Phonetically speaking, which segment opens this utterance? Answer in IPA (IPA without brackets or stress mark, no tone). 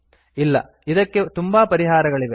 ɪ